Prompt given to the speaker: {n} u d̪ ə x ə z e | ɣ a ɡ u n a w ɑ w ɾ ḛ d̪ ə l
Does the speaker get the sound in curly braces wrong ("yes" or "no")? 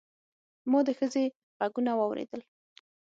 yes